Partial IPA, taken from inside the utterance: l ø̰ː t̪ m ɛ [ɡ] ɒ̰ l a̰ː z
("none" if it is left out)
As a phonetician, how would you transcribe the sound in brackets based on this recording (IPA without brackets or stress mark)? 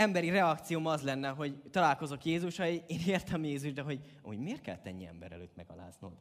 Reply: ɡ